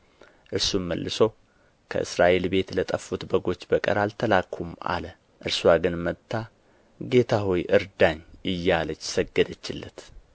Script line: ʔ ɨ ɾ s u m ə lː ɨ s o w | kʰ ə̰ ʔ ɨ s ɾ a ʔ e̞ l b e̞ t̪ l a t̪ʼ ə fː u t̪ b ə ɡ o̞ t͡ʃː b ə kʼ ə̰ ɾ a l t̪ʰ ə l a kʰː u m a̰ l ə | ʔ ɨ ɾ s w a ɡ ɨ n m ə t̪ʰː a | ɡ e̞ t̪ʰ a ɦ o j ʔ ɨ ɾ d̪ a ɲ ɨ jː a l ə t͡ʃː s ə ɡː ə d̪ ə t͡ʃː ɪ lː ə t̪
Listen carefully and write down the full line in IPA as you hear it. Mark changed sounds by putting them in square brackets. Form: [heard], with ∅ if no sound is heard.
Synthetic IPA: ʔ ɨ ɾ s u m ə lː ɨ s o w | kʰ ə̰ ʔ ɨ s ɾ a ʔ e̞ l b e̞ t̪ l [ə] t̪ʼ ə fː u t̪ b ə ɡ o̞ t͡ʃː b ə kʼ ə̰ ɾ a l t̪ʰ ə l a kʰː u m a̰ l ə | ʔ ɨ ɾ s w a ɡ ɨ n m ə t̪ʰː a | ɡ e̞ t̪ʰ a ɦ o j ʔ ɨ ɾ d̪ a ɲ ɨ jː a l ə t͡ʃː s ə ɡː ə d̪ ə t͡ʃː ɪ lː ə t̪